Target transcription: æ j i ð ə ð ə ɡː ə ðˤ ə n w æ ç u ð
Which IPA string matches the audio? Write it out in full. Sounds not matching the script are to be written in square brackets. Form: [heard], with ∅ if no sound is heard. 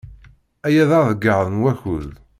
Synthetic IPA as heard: æ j [æ] ð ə ð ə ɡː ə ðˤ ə n w æ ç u ð

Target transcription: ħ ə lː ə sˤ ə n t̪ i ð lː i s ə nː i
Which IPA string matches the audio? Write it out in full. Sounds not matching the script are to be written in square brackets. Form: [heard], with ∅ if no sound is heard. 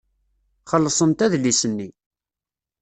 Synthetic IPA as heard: [χ] ə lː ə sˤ ə n t̪ [æ] ð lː i s ə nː i

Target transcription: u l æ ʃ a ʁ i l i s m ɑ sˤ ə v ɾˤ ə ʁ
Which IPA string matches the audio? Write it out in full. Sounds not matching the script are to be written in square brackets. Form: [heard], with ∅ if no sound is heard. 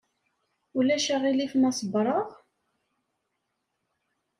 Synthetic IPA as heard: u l æ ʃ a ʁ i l i [f] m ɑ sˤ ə [b] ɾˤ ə ʁ

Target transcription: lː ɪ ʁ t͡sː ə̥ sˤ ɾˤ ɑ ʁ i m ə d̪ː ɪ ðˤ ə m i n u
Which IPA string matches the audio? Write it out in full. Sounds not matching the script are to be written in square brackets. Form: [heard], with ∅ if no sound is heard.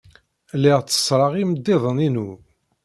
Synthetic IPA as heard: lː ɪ ʁ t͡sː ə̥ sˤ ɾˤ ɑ ʁ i m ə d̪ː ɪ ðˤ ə [n] i n u

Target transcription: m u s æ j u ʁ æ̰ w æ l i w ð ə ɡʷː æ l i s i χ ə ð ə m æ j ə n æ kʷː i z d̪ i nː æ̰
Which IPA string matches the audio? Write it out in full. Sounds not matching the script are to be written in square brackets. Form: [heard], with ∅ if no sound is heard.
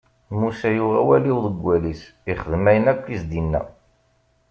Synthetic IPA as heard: m u s æ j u ʁ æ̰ w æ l i w ð ə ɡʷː æ l i s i χ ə ð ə m æ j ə n æ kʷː i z d̪ i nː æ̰

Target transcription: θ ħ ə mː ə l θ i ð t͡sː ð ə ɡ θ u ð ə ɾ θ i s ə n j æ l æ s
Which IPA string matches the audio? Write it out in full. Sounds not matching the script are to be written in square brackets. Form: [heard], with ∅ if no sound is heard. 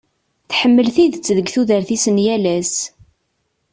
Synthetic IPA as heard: θ ħ ə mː ə l θ i ð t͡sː ð ə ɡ θ u ð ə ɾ θ i s ə n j æ l æ s

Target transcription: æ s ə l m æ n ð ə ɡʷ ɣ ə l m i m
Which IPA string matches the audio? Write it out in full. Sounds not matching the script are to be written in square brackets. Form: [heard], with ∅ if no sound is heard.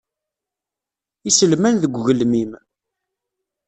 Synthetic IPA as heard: [i] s ə l m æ n ð ə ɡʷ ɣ ə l m i m

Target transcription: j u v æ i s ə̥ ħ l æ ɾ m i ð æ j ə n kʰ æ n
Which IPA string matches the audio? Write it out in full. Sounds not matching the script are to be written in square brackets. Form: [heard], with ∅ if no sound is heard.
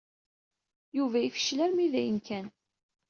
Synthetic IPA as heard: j u v æ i [f] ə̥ [ʃ] l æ ɾ m i ð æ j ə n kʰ æ n

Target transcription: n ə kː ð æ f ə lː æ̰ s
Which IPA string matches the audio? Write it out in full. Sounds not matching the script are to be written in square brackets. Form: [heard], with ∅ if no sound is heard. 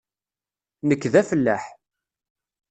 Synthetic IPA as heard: n ə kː ð æ f ə lː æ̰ [ħ]

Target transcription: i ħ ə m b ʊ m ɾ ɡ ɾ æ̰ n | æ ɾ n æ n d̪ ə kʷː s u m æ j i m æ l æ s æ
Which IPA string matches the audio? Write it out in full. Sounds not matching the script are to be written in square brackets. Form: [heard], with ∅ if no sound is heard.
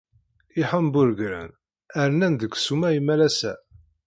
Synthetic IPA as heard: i ħ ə m b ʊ [∅] ɾ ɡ ɾ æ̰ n | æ ɾ n æ n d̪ ə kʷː s u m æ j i m æ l æ s æ

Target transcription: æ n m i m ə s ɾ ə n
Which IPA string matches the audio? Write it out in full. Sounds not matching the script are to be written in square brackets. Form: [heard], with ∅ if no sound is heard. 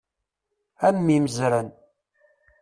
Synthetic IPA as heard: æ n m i m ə [z] ɾ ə n

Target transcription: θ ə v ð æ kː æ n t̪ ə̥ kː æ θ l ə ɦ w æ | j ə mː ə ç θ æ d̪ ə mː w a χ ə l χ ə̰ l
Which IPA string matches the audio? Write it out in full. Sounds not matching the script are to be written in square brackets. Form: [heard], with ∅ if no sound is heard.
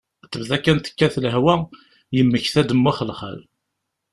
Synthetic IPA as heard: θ ə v ð æ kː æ n t̪ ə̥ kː æ θ l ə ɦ w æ | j ə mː ə ç θ æ d̪ ə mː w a χ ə l χ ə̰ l

